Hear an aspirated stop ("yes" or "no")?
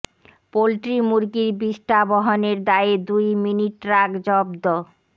no